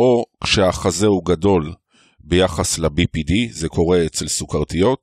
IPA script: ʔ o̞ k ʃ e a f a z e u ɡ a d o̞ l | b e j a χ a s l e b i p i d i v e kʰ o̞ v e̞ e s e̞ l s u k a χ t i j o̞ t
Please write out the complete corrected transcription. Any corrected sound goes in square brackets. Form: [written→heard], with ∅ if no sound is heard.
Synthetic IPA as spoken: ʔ o̞ k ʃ e a [f→χ] a z e u ɡ a d o̞ l | b e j a χ a s l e b i p i d i [v→z] e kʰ o̞ [v→ʁ] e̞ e [s→t͡s] e̞ l s u k a [χ→ʁ] t i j o̞ t